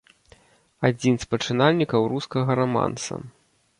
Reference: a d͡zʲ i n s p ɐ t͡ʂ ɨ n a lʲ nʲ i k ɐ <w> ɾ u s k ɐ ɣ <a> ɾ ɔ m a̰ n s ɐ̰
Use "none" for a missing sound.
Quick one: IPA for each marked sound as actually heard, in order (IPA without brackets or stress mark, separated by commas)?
w, ɐ